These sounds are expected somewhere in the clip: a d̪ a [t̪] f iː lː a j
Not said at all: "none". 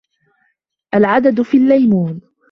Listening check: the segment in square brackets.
d̪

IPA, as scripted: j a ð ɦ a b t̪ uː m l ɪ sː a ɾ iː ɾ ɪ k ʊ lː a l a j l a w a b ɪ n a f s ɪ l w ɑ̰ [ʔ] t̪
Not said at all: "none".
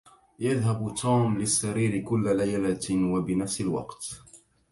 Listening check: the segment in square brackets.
q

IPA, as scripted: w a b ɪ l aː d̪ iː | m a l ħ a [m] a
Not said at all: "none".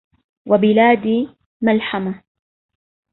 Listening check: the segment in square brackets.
m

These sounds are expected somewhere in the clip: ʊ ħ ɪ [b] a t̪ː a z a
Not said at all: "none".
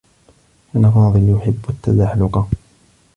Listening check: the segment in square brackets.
bː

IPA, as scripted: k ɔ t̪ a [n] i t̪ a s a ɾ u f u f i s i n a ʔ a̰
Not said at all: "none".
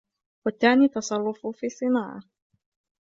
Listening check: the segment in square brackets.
n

